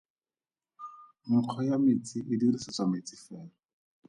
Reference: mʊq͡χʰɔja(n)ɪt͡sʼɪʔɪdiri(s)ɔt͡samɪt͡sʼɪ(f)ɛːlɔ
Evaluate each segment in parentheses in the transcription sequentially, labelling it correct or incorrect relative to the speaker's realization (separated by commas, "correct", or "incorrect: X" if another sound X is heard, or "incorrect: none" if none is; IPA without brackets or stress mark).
incorrect: m, correct, correct